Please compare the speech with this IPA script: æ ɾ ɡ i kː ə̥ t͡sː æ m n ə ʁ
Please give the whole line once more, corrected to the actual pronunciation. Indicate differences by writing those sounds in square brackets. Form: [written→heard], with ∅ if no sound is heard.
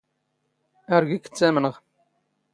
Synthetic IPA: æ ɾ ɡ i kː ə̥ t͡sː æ m n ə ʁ